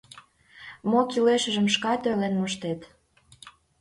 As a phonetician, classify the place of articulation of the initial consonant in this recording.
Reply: labial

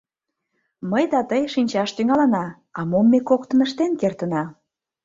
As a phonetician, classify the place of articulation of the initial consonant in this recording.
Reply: labial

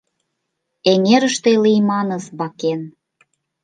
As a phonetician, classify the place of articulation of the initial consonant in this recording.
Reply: velar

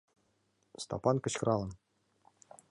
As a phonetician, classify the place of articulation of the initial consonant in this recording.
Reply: alveolar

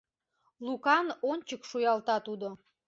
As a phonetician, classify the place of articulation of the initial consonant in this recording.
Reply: alveolar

